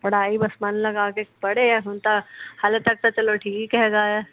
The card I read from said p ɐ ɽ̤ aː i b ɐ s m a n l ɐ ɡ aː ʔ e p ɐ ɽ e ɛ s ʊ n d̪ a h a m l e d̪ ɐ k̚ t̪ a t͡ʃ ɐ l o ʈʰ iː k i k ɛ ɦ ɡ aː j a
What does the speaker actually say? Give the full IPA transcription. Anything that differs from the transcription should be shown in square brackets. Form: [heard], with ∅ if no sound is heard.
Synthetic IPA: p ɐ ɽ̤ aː i b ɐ s m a n l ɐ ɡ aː [k] e p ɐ ɽ e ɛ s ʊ n [t̪] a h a [∅] l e [t̪] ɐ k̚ t̪ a t͡ʃ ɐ l o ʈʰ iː k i k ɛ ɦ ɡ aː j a

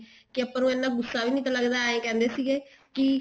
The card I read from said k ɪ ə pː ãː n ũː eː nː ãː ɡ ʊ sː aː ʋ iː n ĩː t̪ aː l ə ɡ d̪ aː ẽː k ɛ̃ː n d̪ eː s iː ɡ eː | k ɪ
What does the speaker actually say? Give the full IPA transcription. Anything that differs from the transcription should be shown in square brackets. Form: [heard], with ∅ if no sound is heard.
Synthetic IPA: k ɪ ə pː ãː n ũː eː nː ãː ɡ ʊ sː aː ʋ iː n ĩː t̪ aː l ə ɡ d̪ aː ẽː k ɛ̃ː n d̪ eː s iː ɡ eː | k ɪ

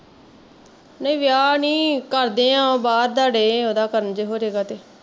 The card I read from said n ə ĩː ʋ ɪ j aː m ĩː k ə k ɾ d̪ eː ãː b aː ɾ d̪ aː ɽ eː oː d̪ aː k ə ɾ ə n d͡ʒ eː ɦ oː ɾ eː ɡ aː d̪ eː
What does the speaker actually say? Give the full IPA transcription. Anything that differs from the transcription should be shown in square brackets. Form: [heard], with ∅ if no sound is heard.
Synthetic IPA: n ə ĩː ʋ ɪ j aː [n] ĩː k ə [∅] ɾ d̪ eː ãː b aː ɾ d̪ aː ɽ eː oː d̪ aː k ə ɾ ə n d͡ʒ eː ɦ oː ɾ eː ɡ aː [t̪] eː

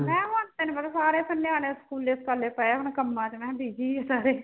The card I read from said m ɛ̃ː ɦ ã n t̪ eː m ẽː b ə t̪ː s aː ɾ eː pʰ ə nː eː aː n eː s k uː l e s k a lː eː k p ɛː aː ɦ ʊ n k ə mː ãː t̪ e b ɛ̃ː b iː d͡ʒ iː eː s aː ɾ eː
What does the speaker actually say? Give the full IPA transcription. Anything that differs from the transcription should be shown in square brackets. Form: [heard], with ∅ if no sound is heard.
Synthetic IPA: m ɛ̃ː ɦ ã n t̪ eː [n] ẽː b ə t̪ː s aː ɾ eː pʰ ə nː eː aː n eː s k uː l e s k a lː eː [∅] p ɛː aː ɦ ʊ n k ə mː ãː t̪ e [m] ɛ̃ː b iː d͡ʒ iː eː s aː ɾ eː

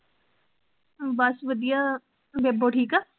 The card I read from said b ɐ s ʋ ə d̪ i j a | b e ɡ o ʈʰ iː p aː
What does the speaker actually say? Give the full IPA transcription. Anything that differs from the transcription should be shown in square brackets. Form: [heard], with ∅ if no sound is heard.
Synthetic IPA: b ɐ s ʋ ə d̪ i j a | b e [b] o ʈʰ iː [k] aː

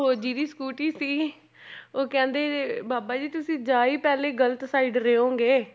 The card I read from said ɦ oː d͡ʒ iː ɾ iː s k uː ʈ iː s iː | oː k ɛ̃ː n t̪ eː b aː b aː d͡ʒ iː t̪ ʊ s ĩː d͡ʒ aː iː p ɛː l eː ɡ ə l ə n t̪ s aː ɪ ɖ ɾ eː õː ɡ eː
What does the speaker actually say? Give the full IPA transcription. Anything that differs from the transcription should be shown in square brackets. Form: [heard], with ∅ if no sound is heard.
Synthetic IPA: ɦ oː d͡ʒ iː ɾ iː s k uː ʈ iː s iː | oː k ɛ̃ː n [d̪] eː b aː b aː d͡ʒ iː t̪ ʊ s ĩː d͡ʒ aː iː p ɛː l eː ɡ ə l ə [∅] t̪ s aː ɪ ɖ ɾ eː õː ɡ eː

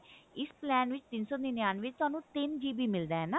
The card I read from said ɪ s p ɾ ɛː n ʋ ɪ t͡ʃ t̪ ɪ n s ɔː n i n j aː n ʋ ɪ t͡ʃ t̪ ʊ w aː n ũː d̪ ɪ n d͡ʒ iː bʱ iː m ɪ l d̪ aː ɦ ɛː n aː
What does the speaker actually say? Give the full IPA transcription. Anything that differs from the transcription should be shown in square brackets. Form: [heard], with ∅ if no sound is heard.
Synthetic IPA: ɪ s p [l] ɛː n ʋ ɪ t͡ʃ t̪ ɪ n s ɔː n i n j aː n ʋ ɪ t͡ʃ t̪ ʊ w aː n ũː [t̪] ɪ n d͡ʒ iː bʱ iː m ɪ l d̪ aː ɦ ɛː n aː

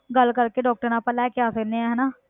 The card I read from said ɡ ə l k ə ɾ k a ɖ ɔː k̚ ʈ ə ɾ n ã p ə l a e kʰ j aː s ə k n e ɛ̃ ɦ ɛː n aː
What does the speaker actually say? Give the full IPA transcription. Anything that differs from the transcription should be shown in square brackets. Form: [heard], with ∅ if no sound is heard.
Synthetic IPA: ɡ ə l k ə ɾ k [e] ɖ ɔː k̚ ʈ ə ɾ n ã p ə l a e [k] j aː s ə k n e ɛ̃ ɦ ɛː n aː

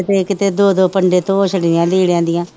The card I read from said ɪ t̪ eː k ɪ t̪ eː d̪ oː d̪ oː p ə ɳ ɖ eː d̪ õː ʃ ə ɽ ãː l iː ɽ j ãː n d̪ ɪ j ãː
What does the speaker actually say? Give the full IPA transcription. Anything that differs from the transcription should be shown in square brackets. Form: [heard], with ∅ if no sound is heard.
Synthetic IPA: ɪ t̪ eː k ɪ t̪ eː d̪ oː d̪ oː p ə ɳ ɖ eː [t̪] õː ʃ ə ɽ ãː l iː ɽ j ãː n d̪ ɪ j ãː

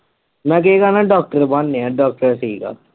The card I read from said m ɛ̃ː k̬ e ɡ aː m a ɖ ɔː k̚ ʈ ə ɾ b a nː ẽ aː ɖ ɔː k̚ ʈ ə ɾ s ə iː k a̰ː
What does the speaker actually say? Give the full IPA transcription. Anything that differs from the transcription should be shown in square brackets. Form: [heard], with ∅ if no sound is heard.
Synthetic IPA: m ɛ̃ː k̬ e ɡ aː [n] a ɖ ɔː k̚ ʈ ə ɾ b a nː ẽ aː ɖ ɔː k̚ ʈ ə ɾ s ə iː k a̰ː

